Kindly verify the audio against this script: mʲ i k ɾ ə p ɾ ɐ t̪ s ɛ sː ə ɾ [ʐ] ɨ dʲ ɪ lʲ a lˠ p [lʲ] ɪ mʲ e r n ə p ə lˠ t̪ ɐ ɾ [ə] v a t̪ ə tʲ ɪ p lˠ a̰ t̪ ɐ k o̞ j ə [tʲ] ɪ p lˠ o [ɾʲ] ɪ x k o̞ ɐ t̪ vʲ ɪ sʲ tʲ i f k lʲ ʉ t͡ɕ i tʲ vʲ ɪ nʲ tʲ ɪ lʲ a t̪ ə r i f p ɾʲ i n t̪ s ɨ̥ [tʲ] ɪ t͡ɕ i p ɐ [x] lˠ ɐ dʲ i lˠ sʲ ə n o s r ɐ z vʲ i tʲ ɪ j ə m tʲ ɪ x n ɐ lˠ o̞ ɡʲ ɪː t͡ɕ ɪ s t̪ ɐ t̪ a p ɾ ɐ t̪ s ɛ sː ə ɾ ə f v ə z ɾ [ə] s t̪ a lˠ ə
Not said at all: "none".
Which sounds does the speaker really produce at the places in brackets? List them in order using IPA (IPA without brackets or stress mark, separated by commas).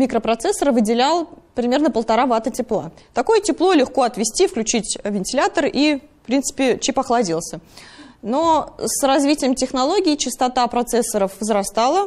v, ɾʲ, a, tʲ, lʲ, pʲ, x, ɐ